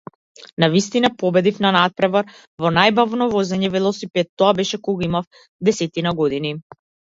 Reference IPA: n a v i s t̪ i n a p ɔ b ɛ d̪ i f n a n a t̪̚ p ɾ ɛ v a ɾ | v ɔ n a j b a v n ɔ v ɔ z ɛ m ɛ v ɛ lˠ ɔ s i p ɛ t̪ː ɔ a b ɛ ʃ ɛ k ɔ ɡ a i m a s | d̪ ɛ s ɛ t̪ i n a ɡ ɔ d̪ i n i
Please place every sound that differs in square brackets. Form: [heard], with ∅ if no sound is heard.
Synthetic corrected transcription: n a v i s t̪ i n a p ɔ b ɛ d̪ i f n a n a t̪̚ p ɾ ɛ v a ɾ | v ɔ n a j b a v n ɔ v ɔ z ɛ [ɲ] ɛ v ɛ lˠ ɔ s i p ɛ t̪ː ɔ a b ɛ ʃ ɛ k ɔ ɡ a i m a [f] | d̪ ɛ s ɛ t̪ i n a ɡ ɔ d̪ i n i